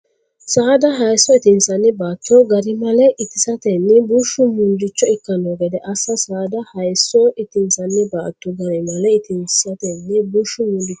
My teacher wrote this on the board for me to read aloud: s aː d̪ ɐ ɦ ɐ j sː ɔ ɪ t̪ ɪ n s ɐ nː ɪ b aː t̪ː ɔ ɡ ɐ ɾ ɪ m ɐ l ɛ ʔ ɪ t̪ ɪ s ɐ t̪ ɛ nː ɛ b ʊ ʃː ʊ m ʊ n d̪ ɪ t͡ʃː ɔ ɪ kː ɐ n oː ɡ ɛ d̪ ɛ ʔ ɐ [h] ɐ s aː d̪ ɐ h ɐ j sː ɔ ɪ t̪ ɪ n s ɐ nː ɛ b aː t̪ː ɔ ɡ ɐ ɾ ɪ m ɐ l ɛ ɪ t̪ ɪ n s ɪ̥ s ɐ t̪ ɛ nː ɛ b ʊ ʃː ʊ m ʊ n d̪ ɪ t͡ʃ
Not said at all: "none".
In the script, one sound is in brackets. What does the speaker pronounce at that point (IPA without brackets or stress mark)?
s